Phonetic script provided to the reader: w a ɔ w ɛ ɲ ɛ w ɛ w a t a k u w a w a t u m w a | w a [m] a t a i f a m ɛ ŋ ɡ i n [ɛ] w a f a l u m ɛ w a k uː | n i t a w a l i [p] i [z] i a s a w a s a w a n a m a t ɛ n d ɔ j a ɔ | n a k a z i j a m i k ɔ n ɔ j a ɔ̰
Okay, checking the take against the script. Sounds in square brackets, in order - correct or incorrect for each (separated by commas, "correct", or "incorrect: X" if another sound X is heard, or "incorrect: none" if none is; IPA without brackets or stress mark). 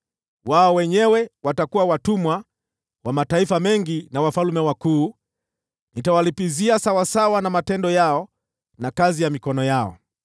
correct, incorrect: a, correct, correct